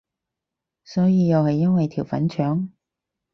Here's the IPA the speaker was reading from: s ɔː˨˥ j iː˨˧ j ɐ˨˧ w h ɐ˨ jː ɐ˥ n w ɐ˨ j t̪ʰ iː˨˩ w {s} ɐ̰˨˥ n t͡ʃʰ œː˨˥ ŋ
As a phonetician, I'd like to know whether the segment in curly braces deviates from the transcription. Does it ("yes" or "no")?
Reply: yes